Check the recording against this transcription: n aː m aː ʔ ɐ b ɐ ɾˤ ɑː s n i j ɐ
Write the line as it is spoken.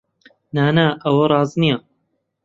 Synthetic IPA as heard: n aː n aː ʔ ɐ w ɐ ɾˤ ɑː z n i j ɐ